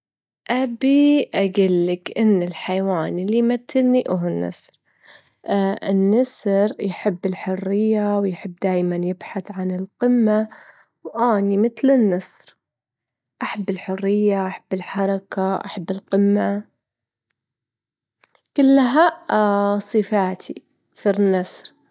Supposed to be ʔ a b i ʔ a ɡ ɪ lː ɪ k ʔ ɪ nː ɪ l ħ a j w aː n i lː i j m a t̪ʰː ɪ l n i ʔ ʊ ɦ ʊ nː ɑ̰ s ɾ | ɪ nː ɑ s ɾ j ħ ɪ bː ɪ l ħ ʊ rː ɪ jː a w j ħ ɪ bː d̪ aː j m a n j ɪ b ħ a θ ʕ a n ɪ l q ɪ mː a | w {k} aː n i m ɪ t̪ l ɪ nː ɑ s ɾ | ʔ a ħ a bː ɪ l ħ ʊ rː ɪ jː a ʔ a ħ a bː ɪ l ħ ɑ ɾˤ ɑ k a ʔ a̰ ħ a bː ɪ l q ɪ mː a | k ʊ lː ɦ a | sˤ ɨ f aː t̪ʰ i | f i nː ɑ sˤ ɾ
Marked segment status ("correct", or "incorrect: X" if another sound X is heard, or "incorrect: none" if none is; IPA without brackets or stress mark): incorrect: ʔ